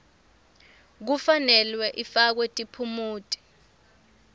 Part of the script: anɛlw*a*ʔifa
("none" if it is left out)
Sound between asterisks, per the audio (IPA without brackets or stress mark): ɛ